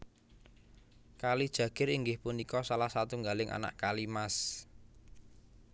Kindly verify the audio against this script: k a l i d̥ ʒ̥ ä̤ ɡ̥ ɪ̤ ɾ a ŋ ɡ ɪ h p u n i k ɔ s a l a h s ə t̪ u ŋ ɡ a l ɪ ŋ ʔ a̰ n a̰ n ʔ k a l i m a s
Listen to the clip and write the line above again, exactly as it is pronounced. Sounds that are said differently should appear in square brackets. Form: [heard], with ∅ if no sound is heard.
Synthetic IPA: k a l i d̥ ʒ̥ ä̤ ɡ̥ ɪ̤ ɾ [i] ŋ ɡ ɪ h p u n i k ɔ s a l a h s [a] t̪ u ŋ ɡ a l ɪ ŋ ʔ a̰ n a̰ [∅] ʔ k a l i m a s